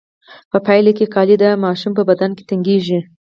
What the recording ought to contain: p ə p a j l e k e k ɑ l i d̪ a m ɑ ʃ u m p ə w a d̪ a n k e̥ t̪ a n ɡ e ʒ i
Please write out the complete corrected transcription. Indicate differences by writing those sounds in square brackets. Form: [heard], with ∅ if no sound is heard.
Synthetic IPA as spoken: p ə p a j l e k e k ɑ l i d̪ a m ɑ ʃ u m p ə [b] a d̪ a n k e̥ t̪ a [ŋ] ɡ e ʒ i